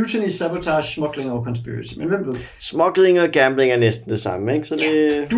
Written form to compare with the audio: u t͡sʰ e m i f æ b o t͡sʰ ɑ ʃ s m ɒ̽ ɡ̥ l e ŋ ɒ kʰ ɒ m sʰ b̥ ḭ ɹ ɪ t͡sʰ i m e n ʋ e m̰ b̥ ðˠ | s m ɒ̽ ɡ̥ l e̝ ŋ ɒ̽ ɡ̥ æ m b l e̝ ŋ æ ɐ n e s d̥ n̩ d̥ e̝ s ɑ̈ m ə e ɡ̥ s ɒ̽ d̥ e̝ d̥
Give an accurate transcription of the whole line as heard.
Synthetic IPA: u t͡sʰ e n i s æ b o t͡sʰ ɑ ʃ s m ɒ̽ ɡ̥ l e ŋ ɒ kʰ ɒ n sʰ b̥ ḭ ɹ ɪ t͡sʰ i m e n ʋ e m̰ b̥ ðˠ | s m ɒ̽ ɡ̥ l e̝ ŋ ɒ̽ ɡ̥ æ m b l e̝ ŋ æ ɐ n e s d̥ n̩ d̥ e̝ s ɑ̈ m ə e ɡ̥ s ɒ̽ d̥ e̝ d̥